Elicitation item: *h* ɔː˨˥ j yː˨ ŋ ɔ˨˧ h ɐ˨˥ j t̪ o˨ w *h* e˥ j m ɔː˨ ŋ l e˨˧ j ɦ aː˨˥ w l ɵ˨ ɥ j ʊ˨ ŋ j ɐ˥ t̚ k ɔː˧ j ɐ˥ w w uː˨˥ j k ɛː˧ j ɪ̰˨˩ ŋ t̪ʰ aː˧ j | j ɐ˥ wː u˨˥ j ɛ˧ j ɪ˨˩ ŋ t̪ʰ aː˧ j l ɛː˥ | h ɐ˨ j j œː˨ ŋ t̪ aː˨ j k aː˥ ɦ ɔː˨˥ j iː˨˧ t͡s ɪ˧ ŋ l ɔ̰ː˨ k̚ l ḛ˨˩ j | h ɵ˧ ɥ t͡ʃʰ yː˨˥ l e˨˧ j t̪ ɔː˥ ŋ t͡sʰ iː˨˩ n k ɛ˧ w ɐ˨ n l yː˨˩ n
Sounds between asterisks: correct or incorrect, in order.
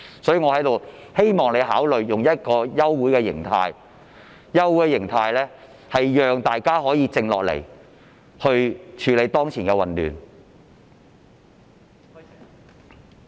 incorrect, correct

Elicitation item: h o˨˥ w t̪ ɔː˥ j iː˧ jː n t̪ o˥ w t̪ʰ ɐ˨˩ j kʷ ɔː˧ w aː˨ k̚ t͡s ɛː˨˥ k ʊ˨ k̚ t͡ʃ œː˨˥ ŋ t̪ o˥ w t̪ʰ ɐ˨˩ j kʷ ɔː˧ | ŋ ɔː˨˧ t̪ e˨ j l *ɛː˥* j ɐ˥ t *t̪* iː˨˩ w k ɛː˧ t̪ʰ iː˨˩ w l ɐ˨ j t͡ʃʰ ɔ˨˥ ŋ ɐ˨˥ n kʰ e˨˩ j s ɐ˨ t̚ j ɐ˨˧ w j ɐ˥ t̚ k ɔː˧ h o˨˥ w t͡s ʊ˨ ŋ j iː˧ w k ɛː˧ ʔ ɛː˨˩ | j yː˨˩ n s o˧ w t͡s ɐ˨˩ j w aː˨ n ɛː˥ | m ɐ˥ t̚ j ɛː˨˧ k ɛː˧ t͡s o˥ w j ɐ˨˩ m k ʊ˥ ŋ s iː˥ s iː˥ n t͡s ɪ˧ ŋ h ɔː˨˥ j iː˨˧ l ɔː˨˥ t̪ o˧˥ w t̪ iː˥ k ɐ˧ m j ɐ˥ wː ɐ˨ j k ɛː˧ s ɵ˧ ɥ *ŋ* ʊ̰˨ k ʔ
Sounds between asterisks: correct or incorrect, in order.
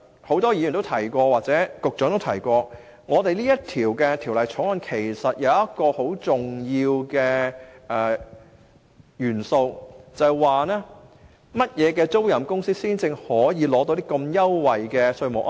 incorrect, incorrect, incorrect

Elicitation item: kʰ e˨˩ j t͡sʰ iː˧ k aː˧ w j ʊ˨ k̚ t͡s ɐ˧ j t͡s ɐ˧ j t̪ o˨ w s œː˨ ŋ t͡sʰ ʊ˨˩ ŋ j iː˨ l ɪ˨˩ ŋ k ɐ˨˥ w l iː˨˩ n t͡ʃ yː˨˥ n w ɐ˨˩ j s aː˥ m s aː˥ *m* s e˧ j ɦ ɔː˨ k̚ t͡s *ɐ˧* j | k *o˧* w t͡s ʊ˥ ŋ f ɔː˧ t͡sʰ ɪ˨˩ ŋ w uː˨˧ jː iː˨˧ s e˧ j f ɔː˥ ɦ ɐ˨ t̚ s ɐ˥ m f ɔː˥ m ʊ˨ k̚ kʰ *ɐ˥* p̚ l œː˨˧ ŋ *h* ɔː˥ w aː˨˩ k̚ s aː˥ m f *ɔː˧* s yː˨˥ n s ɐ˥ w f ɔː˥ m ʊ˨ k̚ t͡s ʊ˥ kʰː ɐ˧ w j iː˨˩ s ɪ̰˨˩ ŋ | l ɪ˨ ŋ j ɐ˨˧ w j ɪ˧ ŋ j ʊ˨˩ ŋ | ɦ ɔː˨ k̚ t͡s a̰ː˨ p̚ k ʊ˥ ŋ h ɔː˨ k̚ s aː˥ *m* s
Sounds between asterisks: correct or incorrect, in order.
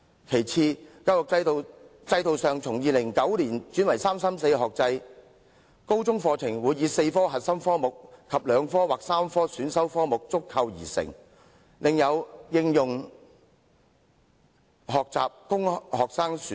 correct, correct, incorrect, incorrect, incorrect, incorrect, incorrect

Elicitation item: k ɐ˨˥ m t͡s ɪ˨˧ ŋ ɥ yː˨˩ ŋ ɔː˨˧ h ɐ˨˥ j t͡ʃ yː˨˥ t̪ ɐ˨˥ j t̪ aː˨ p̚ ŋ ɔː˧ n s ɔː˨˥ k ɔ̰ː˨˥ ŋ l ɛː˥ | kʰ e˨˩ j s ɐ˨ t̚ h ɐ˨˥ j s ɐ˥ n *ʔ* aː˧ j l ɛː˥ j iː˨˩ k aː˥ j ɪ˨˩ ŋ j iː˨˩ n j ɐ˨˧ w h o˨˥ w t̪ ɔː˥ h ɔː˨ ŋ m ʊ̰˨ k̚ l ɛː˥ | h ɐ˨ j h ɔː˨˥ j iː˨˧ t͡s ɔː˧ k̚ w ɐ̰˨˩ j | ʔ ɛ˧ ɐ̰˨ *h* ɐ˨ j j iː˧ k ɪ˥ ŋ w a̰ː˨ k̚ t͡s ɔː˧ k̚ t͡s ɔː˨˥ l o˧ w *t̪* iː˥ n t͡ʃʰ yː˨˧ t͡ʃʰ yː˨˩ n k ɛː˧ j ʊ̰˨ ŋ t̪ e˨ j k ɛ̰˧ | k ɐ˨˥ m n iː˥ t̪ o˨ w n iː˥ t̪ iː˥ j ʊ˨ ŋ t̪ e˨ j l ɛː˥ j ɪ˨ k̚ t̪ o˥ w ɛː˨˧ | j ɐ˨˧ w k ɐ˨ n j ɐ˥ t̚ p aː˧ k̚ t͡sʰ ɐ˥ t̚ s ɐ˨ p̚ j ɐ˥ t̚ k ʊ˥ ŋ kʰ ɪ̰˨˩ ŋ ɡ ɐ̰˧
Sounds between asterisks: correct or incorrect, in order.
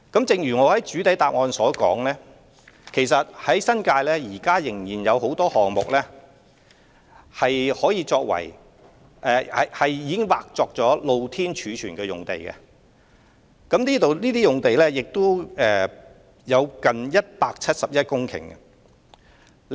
incorrect, correct, incorrect

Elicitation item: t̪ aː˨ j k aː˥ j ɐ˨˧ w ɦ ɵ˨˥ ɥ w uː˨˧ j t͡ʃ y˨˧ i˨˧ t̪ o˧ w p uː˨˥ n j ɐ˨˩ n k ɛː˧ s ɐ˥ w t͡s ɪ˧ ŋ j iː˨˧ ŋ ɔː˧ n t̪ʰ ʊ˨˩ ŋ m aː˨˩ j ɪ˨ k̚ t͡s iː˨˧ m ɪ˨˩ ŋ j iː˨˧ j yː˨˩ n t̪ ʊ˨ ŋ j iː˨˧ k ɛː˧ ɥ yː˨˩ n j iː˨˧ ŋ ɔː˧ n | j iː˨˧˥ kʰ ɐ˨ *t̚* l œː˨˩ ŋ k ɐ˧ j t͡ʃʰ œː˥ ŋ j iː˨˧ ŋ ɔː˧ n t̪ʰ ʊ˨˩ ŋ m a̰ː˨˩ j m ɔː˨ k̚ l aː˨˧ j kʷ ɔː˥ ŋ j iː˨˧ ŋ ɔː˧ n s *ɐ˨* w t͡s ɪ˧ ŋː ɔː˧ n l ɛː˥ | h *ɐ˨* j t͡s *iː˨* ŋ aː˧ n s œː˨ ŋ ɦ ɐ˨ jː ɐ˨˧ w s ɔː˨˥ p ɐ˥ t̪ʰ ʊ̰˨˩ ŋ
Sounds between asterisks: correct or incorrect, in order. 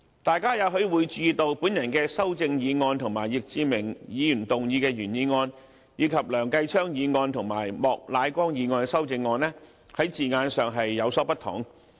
incorrect, incorrect, incorrect, correct

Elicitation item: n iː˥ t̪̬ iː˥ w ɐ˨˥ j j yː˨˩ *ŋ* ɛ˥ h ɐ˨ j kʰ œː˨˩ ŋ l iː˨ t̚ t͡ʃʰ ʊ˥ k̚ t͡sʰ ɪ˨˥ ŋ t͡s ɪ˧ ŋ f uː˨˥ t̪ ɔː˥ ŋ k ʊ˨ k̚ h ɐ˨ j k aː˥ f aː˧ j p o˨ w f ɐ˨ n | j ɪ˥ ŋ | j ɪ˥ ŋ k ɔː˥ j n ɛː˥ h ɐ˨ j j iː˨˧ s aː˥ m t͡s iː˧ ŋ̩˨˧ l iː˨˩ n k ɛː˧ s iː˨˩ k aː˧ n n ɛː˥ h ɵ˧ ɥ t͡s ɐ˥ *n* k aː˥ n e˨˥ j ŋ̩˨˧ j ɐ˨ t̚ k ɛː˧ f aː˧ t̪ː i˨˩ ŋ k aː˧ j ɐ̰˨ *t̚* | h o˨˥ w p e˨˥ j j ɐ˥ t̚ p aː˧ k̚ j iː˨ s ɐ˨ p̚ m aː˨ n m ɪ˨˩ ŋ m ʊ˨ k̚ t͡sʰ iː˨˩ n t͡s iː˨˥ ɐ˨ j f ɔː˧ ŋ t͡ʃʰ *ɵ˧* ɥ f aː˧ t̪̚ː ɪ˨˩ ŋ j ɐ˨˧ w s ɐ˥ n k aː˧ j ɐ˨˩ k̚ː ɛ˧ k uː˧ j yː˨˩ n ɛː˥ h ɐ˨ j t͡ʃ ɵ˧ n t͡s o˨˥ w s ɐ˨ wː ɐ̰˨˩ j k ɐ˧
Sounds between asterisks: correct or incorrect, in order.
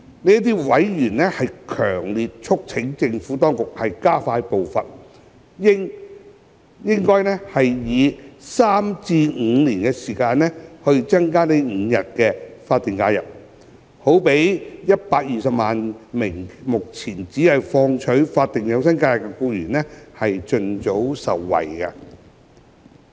incorrect, incorrect, incorrect, incorrect

